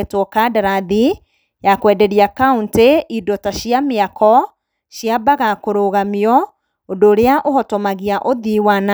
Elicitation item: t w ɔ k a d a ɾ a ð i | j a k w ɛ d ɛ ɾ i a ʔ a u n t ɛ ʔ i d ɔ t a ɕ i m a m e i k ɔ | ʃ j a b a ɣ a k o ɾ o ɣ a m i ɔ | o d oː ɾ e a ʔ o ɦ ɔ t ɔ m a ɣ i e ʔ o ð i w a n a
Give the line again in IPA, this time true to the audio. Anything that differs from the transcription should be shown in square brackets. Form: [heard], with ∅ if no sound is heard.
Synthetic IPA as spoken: t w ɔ k a d a ɾ a ð i | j a k w ɛ d ɛ ɾ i a [k] a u n t [e] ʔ i d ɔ t a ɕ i [∅] a m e [a] k ɔ | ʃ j a b a ɣ a k o ɾ o ɣ a m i ɔ | o d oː ɾ e a ʔ o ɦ ɔ t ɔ m a ɣ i [a] ʔ o ð i w a n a